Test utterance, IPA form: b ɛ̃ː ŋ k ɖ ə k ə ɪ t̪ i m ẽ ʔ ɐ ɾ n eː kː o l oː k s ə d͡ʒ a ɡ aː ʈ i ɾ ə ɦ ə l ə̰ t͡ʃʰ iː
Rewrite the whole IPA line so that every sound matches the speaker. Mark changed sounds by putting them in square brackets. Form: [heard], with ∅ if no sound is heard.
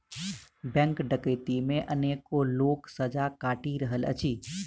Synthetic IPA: b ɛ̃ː ŋ k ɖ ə k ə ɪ t̪ i m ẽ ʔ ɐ [∅] n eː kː o l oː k s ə d͡ʒ a [k] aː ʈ i ɾ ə ɦ ə l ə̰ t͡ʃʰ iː